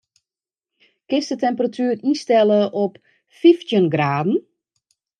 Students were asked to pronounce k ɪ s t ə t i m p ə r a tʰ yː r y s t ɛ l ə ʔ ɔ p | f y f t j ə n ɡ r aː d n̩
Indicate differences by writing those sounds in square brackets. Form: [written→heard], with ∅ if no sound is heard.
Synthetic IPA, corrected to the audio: k ɪ s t ə t [i→ɛ] m p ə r a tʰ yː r [y→i] s t ɛ l ə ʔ ɔ p | f [y→i] f t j ə n ɡ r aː d n̩